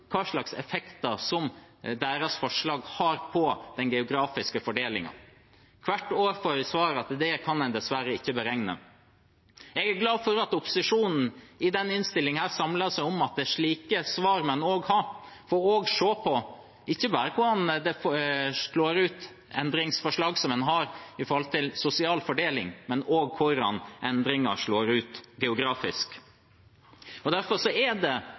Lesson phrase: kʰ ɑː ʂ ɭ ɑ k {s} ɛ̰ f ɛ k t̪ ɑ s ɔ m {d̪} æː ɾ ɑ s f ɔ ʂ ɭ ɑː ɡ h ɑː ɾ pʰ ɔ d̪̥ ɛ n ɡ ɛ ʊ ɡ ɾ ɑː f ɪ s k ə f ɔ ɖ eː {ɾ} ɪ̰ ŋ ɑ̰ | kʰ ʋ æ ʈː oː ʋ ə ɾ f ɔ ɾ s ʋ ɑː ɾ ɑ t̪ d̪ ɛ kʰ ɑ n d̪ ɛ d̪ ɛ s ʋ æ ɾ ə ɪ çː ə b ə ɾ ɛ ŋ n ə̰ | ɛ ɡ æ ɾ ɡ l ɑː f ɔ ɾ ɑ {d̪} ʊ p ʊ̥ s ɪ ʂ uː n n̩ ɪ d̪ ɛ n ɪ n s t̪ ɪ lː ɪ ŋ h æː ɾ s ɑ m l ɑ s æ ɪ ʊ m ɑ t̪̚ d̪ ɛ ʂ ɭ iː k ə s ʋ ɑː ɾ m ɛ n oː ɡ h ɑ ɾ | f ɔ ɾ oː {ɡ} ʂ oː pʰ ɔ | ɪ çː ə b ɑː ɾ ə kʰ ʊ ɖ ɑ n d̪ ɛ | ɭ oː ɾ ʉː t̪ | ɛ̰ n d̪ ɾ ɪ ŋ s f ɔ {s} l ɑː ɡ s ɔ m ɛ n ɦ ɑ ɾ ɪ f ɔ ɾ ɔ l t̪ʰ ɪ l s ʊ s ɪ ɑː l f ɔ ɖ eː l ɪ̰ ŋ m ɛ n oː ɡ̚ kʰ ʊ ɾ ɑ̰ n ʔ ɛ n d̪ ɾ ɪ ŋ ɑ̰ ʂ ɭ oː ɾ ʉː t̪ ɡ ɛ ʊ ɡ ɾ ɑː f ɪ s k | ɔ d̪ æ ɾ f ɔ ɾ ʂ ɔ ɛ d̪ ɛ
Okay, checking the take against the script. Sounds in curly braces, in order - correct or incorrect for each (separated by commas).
correct, correct, incorrect, incorrect, correct, incorrect